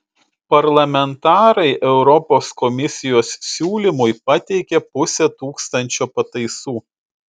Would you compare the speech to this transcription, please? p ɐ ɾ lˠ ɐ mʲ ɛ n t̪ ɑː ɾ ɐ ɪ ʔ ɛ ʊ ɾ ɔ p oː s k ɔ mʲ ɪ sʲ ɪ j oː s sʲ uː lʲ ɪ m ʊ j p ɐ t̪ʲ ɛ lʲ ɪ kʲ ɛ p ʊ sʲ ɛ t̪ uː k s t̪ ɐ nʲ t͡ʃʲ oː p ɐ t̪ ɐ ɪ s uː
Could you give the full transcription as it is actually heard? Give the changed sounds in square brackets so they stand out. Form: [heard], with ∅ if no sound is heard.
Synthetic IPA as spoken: p ɐ ɾ lˠ ɐ mʲ ɛ n t̪ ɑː ɾ ɐ ɪ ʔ ɛ ʊ ɾ ɔ p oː s k ɔ mʲ ɪ sʲ ɪ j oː s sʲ uː lʲ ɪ m ʊ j p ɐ t̪ʲ ɛ [∅] ɪ kʲ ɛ p ʊ sʲ ɛ t̪ uː k s t̪ ɐ nʲ t͡ʃʲ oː p ɐ t̪ ɐ ɪ s uː